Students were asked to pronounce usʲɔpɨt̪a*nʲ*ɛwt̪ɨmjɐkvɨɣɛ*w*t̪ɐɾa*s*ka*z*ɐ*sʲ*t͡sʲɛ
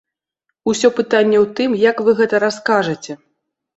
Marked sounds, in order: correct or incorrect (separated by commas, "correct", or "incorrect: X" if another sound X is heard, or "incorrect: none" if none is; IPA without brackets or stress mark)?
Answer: incorrect: nʲː, incorrect: none, correct, incorrect: ʐ, incorrect: none